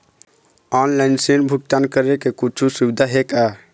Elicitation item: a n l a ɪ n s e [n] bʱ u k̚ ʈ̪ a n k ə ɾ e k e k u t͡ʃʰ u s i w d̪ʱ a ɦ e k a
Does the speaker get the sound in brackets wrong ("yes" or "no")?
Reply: no